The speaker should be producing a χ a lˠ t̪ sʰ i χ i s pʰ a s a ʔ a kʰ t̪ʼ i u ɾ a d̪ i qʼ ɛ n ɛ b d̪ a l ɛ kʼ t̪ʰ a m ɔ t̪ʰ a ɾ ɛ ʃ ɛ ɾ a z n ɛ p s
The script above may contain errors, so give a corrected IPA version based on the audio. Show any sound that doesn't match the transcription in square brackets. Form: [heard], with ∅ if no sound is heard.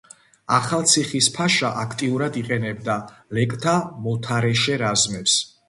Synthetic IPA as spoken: a χ a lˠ t̪ sʰ i χ i s pʰ a [ʃ] a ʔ a kʰ t̪ʼ i u ɾ a d̪ i qʼ ɛ n ɛ b d̪ a l ɛ kʼ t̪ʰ a m ɔ t̪ʰ a ɾ ɛ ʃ ɛ ɾ a z [m] ɛ p s